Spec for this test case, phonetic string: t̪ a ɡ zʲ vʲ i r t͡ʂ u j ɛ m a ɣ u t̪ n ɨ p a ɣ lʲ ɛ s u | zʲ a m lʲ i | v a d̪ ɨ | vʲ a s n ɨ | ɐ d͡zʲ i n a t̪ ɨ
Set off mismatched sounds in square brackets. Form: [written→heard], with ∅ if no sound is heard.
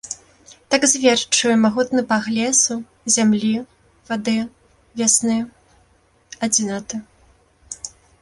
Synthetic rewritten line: t̪ a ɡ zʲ vʲ [i→ɛ] r t͡ʂ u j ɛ m a ɣ u t̪ n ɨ p a ɣ lʲ ɛ s u | zʲ a m lʲ i | v a d̪ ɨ | vʲ a s n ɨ | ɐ d͡zʲ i n a t̪ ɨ